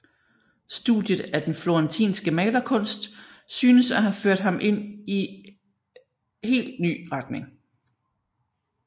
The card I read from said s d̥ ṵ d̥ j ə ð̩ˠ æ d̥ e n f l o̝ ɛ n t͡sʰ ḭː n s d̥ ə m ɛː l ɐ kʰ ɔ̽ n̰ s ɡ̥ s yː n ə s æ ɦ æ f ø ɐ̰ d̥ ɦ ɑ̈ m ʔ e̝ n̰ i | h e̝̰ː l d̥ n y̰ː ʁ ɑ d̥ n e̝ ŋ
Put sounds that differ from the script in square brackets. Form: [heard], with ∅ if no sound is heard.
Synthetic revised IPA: s d̥ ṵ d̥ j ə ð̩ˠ æ d̥ e n f l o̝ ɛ n t͡sʰ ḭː n s [ɡ̥] ə m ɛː l ɐ kʰ ɔ̽ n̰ s [d̥] s yː n ə s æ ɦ æ f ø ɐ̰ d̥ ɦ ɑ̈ m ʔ e̝ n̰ i | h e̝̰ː l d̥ n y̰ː ʁ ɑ d̥ n e̝ ŋ

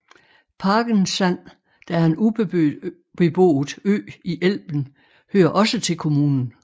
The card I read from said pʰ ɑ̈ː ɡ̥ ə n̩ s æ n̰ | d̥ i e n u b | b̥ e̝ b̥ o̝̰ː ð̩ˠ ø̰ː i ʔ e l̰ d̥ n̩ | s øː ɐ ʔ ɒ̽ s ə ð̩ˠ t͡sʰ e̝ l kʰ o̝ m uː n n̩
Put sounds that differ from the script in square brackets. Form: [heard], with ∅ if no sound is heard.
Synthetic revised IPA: pʰ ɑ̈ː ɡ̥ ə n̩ s æ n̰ | d̥ [æ] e n u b | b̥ e̝ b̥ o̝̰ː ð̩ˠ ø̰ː i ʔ e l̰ [b̥] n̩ | [h] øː ɐ ʔ ɒ̽ s ə [∅] t͡sʰ e̝ l kʰ o̝ m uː n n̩

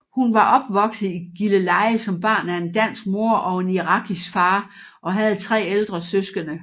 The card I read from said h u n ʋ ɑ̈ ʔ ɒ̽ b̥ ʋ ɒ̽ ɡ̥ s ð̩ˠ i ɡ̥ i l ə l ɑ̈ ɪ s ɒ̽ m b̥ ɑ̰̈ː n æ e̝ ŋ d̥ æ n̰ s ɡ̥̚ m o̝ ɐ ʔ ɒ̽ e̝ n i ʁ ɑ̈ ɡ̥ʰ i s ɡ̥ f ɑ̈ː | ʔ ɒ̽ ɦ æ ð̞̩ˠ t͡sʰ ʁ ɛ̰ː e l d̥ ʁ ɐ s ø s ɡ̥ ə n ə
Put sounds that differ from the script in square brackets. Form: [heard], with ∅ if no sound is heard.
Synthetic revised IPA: h u n ʋ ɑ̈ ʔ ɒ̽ b̥ ʋ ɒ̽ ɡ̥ s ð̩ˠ i ɡ̥ i l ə l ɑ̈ ɪ s ɒ̽ m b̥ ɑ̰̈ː n æ e̝ [n] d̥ æ n̰ s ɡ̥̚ m o̝ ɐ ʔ ɒ̽ e̝ n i ʁ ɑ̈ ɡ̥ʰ i s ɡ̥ f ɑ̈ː | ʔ ɒ̽ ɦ æ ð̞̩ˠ t͡sʰ ʁ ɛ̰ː e l d̥ ʁ ɐ s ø s ɡ̥ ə n ə

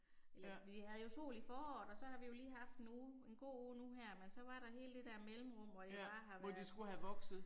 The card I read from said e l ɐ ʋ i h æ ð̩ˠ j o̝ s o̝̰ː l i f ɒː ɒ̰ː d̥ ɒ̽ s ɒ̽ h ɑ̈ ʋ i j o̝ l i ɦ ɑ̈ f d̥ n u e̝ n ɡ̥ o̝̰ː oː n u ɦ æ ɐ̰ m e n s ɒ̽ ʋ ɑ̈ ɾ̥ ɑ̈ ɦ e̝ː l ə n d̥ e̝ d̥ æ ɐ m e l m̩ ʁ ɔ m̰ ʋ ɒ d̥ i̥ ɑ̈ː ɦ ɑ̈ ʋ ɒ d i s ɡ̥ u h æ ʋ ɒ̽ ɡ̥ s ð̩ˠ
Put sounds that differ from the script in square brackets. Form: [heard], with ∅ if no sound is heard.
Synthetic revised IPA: e l ɐ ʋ i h æ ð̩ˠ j o̝ s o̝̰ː l i f ɒː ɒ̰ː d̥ ɒ̽ s ɒ̽ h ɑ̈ ʋ i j o̝ l [iː] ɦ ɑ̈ f d̥ n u e̝ n ɡ̥ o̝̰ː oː n u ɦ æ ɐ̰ m e n s ɒ̽ ʋ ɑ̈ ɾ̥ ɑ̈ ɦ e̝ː l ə [∅] d̥ e̝ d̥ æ ɐ m e l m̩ ʁ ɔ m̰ ʋ ɒ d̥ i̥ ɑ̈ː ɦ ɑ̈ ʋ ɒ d i s ɡ̥ u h æ ʋ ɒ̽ ɡ̥ s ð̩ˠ

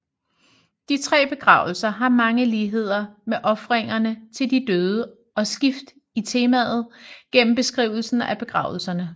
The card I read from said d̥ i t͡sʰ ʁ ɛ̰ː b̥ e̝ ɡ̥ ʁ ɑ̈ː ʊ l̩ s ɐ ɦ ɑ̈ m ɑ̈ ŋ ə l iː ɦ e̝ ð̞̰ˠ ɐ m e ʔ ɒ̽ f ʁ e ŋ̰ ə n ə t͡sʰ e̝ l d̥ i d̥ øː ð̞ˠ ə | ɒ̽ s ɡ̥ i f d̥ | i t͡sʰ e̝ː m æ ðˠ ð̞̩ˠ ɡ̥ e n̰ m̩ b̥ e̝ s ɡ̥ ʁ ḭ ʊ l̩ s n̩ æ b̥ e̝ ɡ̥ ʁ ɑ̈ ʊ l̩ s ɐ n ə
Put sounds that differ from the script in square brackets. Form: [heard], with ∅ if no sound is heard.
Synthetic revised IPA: d̥ i t͡sʰ ʁ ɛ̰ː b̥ e̝ ɡ̥ ʁ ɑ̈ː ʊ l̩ s ɐ ɦ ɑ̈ m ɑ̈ ŋ ə l iː ɦ e̝ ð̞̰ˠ ɐ m e ʔ ɒ̽ f ʁ e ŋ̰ [ɐ] n ə t͡sʰ e̝ l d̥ i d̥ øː ð̞ˠ ə | ɒ̽ s ɡ̥ i f d̥ | i t͡sʰ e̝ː m æ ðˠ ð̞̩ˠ ɡ̥ e n̰ m̩ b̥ e̝ s ɡ̥ ʁ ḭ ʊ l̩ s n̩ æ b̥ e̝ ɡ̥ ʁ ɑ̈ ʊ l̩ s ɐ n ə

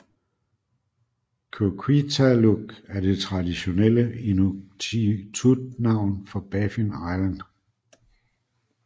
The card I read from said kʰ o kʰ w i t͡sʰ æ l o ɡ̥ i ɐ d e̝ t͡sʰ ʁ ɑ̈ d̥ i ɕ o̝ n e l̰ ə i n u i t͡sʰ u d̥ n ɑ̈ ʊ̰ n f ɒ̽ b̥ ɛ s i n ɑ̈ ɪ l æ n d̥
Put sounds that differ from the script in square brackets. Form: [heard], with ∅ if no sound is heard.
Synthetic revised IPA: kʰ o kʰ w i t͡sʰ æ l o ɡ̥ [æ] ɐ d e̝ t͡sʰ ʁ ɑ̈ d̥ i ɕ o̝ n e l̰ ə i n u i t͡sʰ u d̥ n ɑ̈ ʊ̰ n f ɒ̽ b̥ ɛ [f] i n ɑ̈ ɪ l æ n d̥

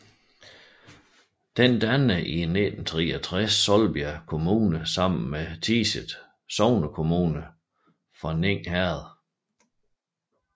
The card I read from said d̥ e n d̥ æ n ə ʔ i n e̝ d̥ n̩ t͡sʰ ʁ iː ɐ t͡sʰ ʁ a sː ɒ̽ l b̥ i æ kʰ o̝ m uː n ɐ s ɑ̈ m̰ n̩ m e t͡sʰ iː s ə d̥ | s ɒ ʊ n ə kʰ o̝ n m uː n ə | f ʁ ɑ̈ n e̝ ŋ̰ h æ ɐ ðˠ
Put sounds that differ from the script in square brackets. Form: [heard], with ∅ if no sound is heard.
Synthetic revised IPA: d̥ e n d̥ æ n ə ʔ i n e̝ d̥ n̩ t͡sʰ ʁ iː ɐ t͡sʰ ʁ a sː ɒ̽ l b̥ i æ kʰ o̝ m uː n [ə] s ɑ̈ m̰ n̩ m e t͡sʰ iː s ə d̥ | s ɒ ʊ n ə kʰ o̝ [∅] m uː n ə | f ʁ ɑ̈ n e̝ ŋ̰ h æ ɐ ðˠ

